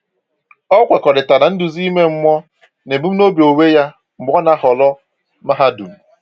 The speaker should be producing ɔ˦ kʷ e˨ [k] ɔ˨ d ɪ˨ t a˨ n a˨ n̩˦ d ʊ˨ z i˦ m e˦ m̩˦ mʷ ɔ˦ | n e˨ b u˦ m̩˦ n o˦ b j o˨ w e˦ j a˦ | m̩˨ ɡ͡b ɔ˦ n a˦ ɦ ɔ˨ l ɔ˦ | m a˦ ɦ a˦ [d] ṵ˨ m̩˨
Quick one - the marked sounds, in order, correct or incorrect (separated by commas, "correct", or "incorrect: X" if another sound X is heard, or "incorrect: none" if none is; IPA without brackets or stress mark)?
correct, correct